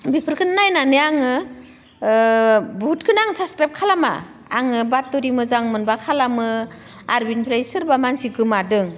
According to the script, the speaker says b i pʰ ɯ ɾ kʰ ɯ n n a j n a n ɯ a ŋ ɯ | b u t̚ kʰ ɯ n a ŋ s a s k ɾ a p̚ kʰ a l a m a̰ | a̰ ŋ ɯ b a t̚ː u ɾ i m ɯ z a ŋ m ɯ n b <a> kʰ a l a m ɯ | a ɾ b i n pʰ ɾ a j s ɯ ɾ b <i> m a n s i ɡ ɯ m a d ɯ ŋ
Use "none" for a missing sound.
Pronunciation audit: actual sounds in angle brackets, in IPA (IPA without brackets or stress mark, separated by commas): a, a